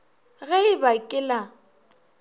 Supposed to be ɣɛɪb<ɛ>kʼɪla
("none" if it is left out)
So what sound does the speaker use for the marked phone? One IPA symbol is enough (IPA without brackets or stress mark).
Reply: a